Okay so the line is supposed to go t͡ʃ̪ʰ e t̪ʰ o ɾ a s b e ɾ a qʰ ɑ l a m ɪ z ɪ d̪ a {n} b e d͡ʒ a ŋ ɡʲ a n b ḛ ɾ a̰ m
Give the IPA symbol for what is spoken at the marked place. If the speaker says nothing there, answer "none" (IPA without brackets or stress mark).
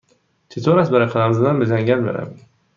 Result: n